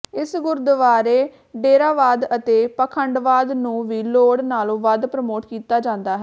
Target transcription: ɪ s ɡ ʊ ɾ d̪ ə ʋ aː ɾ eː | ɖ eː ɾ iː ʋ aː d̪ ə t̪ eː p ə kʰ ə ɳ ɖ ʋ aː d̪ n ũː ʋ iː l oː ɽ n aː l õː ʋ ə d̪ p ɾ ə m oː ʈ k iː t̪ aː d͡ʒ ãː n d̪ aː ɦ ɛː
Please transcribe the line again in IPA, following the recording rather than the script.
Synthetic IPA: ɪ s ɡ ʊ ɾ d̪ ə ʋ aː ɾ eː | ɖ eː ɾ aː ʋ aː d̪ ə t̪ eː p ə kʰ ə ɳ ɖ ʋ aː d̪ n ũː ʋ iː l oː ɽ n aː l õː ʋ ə d̪ p ɾ ə m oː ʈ k iː t̪ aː d͡ʒ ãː n d̪ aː ɦ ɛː

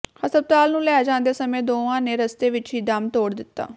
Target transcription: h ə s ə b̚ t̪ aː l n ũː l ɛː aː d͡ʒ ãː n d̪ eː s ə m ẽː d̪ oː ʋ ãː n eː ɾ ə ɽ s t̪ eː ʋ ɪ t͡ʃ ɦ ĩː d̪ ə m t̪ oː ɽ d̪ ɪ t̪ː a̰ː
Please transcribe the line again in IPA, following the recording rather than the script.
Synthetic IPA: h ə s ə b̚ t̪ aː l n ũː l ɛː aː d͡ʒ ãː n d̪ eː s ə m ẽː d̪ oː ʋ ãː n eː ɾ ə s t̪ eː ʋ ɪ t͡ʃ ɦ iː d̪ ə m t̪ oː ɽ d̪ ɪ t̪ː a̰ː

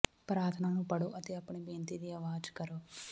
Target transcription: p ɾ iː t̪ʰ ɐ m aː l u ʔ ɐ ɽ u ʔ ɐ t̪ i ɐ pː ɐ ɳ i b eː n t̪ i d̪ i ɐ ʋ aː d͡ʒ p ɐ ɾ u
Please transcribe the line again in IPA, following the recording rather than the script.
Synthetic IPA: p ɾ aː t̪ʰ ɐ n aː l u p ɐ ɽ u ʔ ɐ t̪ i ɐ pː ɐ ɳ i b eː n t̪ i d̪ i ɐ ʋ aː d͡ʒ k ɐ ɾ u

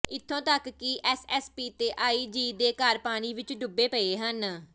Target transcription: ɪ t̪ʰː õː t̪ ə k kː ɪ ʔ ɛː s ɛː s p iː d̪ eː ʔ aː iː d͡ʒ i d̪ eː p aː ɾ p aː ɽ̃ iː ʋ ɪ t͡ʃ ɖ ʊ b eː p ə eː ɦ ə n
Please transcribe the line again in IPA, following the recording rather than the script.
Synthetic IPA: ɪ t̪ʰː õː t̪ ə k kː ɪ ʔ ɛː s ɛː s p iː t̪ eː ʔ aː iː d͡ʒ iː d̪ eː k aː ɾ p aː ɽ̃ iː ʋ ɪ t͡ʃ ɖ ʊ b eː p ə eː ɦ ə n

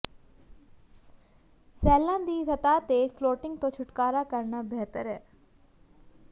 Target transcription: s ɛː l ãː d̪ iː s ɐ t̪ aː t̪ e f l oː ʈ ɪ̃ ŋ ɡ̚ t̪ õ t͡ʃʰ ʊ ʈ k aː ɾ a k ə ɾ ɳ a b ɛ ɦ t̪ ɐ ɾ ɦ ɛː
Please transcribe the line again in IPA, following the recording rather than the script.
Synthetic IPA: s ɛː l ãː d̪ iː s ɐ t̪ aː t̪ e f l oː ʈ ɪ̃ ŋ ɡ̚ t̪ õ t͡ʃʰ ʊ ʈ k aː ɾ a k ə ɾ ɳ a b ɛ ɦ t̪ ə ɾ ɦ ɛː

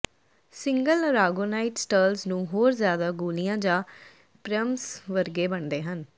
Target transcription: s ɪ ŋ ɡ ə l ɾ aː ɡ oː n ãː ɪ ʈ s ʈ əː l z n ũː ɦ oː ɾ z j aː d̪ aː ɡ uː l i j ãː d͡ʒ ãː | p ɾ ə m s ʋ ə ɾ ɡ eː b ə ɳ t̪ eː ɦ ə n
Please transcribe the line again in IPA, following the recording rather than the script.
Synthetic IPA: s ɪ ŋ ɡ ə l ɾ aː ɡ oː n aː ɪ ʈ s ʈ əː l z n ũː ɦ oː ɾ z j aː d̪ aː ɡ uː l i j ãː d͡ʒ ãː | p ɾ ə m s ʋ ə ɾ ɡ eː b ə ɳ d̪ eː ɦ ə n

